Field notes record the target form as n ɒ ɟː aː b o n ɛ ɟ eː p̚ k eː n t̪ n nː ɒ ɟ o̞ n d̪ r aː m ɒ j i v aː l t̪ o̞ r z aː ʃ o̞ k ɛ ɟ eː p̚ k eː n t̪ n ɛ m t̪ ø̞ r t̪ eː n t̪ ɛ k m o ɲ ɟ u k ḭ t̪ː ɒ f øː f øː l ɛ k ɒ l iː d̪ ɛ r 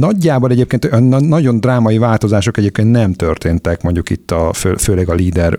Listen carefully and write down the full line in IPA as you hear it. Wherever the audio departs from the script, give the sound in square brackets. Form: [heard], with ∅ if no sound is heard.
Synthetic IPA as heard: n ɒ ɟː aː b o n ɛ ɟ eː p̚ k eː n t̪ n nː ɒ ɟ o̞ n d̪ r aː m ɒ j i v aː l t̪ o̞ [∅] z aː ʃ o̞ k ɛ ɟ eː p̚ k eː n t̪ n ɛ m t̪ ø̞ r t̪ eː n t̪ ɛ k m o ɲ ɟ u k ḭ t̪ː ɒ f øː f øː l ɛ [ɡ] ɒ l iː d̪ ɛ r